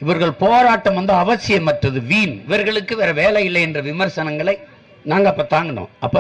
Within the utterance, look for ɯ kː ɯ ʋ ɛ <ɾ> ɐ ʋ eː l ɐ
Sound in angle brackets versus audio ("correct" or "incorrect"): correct